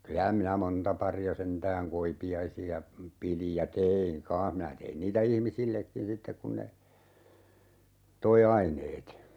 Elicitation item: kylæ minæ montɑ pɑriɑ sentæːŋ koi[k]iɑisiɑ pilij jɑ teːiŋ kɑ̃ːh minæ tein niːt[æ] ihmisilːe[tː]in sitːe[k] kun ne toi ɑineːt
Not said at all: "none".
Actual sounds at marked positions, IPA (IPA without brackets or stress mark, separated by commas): p, æ, kː, k